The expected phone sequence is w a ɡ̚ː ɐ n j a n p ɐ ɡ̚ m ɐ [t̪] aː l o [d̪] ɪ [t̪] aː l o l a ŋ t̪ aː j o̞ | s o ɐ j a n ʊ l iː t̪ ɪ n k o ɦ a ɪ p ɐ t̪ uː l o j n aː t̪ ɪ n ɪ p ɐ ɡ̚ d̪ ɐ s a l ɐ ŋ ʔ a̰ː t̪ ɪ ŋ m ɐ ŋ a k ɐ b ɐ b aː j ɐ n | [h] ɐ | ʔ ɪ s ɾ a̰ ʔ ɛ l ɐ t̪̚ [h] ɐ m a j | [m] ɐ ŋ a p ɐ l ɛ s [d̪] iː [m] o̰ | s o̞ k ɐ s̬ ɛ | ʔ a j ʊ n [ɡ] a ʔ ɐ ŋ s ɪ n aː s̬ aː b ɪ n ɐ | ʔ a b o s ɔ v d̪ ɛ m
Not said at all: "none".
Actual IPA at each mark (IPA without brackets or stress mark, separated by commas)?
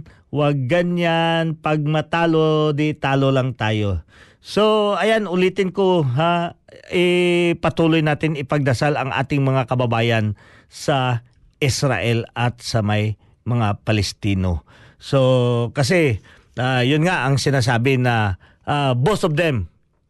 t̪, d̪, t̪, s, s, m, t̪, n, ŋ